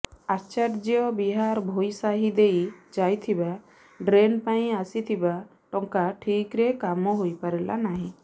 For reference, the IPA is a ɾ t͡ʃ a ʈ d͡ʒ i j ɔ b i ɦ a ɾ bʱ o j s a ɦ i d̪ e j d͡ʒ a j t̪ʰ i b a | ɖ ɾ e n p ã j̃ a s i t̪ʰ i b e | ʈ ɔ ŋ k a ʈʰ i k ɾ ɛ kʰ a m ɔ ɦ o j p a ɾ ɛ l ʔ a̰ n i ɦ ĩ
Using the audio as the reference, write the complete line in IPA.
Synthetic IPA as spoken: a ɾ t͡ʃ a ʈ d͡ʒ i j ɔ b i ɦ a ɾ bʱ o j s a ɦ i d̪ e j d͡ʒ a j t̪ʰ i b a | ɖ ɾ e n p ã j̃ a s i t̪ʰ i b a | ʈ ɔ ŋ k a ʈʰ i k ɾ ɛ k a m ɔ ɦ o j p a ɾ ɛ l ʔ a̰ n a ɦ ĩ